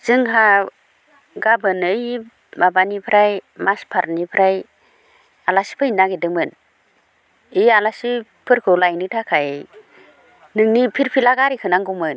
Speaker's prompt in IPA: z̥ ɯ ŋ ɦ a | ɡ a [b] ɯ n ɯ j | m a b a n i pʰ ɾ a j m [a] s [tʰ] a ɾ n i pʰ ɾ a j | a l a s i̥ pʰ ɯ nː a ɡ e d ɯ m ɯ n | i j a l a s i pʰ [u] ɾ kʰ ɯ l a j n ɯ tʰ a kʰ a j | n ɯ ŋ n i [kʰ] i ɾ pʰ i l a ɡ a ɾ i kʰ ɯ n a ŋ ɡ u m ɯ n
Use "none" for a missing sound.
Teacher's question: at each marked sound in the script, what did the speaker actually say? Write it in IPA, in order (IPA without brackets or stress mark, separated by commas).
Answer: b, a, pʰ, ɯ, pʰ